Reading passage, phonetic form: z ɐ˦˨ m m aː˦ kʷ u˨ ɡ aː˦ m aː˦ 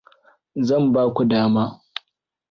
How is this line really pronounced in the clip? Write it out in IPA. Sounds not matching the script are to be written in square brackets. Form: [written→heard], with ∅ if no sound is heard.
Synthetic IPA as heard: z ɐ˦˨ m [m→b] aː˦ kʷ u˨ [ɡ→d] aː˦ m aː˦